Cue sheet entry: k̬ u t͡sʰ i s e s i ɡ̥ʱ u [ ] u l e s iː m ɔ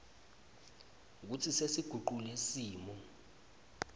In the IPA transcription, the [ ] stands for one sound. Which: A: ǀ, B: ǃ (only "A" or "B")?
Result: B